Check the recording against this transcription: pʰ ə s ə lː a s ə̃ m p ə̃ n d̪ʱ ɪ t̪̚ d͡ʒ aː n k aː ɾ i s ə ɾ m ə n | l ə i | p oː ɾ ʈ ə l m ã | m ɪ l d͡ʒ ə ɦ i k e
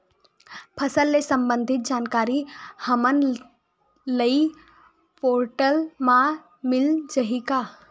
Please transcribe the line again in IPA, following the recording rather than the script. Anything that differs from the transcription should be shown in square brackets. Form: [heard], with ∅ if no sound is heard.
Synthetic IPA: pʰ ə s ə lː [e] s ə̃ m [b] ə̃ n d̪ʱ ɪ t̪̚ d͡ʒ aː n k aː ɾ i [h] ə [∅] m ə n | l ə i | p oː ɾ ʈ ə l m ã | m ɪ l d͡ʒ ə ɦ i k [a]